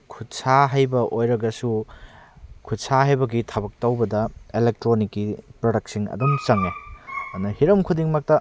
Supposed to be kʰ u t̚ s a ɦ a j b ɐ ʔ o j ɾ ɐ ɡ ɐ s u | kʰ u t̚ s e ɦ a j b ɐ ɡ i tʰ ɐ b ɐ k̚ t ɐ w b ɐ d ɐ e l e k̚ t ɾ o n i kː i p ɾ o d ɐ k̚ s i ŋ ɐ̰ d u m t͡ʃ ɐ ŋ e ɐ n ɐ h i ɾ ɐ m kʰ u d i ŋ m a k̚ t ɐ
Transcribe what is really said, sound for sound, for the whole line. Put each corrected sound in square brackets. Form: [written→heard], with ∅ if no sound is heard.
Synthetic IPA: kʰ u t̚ s a ɦ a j b ɐ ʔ o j ɾ ɐ ɡ ɐ s u | kʰ u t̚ s [e→a] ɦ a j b ɐ ɡ i tʰ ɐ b ɐ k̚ t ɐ w b ɐ d ɐ e l e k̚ t ɾ o n i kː i p ɾ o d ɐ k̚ s i ŋ ɐ̰ d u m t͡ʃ ɐ ŋ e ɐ n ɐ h i ɾ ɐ m kʰ u d i ŋ m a k̚ t ɐ